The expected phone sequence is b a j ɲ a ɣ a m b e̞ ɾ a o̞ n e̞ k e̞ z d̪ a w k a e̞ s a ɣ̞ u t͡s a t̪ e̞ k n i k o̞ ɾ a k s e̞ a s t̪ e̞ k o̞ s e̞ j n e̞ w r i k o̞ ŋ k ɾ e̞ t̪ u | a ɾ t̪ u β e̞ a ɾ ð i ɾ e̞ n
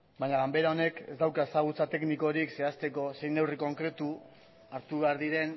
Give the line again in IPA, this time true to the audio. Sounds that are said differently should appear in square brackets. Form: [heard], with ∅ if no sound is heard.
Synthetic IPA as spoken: b a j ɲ a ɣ a m b e̞ ɾ a o̞ n e̞ k e̞ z d̪ a w k a e̞ s a ɣ̞ u t͡s a t̪ e̞ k n i k o̞ ɾ [i] k s e̞ a s t̪ e̞ k o̞ s e̞ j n e̞ w r i k o̞ ŋ k ɾ e̞ t̪ u | a ɾ t̪ u β e̞ a ɾ ð i ɾ e̞ n